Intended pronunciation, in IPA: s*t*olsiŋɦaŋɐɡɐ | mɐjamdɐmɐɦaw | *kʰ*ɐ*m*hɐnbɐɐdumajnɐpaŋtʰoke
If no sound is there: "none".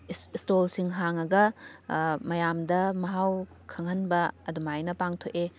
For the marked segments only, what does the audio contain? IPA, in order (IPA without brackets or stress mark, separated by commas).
t, kʰ, ŋ